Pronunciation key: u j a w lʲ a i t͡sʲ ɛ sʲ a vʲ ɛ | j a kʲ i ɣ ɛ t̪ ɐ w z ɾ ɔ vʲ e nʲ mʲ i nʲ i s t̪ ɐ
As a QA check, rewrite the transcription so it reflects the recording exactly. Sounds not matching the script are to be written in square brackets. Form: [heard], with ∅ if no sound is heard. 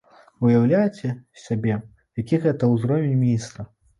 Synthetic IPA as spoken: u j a w lʲ a [j] t͡sʲ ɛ sʲ a [bʲ] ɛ | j a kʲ i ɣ ɛ t̪ ɐ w z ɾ ɔ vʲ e nʲ mʲ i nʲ i s t̪ ɐ